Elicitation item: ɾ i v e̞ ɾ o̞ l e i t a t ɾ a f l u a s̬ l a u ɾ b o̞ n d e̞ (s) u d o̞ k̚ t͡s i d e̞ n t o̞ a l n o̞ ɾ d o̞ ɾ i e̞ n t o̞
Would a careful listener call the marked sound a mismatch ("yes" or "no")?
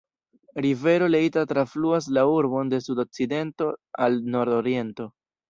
no